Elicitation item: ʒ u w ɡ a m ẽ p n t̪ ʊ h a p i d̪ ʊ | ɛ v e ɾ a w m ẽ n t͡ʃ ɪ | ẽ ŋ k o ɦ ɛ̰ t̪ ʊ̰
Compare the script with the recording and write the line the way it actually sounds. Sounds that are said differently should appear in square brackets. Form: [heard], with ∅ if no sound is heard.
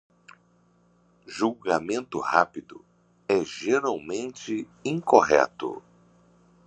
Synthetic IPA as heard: ʒ u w ɡ a m ẽ [∅] n t̪ ʊ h a p i d̪ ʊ | ɛ [ʒ] e ɾ a w m ẽ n t͡ʃ ɪ | [ĩ] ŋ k o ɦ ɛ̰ t̪ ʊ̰